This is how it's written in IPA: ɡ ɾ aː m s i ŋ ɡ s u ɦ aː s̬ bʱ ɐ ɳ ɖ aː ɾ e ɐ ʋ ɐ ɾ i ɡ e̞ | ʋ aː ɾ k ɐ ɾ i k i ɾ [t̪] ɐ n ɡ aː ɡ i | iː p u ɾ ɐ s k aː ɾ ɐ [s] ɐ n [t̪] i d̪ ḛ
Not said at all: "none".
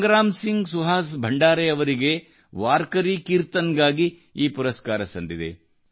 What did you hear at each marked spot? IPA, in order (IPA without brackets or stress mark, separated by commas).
t̪, s, d̪